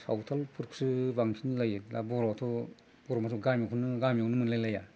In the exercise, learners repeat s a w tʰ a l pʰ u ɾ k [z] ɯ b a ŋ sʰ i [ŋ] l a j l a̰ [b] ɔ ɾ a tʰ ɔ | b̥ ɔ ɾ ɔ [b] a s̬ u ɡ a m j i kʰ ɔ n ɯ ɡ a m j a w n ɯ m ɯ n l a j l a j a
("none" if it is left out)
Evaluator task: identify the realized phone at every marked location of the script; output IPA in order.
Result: s, n, b, m

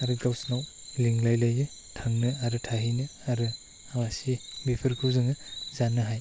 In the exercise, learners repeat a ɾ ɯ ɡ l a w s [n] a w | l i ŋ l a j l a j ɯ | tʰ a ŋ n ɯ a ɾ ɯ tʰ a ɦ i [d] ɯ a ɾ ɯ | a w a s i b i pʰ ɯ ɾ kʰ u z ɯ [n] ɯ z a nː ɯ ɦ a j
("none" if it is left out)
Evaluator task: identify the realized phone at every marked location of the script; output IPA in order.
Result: n, n, ŋ

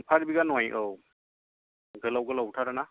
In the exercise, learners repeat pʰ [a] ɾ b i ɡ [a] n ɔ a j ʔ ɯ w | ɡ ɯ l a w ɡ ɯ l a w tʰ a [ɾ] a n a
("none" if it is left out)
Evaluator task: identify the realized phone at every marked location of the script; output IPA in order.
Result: a, a, ɾ

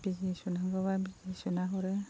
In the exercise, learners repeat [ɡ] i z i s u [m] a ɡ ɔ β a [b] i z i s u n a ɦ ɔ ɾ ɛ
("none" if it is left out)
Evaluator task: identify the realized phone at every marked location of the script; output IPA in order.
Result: b, n, b

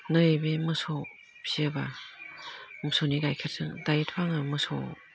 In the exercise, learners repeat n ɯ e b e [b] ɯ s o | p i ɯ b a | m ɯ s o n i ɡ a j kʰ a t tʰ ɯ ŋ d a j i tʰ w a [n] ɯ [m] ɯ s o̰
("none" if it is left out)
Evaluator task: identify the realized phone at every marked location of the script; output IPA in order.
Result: m, ŋ, m

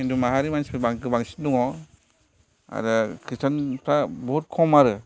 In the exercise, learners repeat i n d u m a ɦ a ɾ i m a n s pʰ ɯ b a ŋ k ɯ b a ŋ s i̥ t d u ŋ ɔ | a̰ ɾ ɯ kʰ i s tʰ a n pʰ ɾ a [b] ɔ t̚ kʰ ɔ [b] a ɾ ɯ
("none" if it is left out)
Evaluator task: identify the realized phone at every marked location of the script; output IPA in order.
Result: b, m

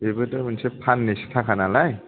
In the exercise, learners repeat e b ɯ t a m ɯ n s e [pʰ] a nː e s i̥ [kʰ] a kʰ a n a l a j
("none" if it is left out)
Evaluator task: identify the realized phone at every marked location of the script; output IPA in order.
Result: pʰ, tʰ

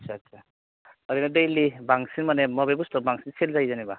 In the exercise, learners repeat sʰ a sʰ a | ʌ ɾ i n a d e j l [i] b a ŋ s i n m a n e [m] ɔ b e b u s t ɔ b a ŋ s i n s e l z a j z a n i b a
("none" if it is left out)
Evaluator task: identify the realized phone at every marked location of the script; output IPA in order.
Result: i, m

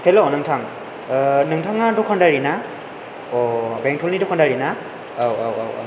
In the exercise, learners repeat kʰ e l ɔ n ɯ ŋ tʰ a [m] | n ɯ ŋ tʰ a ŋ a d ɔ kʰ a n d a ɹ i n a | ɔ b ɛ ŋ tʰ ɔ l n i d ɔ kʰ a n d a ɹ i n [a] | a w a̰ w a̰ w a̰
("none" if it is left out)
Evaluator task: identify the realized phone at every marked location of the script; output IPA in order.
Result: ŋ, a

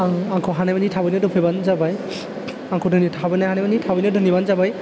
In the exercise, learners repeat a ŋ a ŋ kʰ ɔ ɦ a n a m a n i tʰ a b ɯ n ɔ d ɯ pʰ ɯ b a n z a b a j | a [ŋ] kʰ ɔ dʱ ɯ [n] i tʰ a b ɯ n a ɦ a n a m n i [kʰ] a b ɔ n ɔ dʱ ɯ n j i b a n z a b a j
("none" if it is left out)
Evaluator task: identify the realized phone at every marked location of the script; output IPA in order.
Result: ŋ, n, tʰ

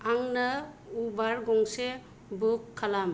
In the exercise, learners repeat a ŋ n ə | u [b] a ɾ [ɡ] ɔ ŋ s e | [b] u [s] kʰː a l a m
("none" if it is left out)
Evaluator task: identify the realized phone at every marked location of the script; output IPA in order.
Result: b, ɡ, b, none

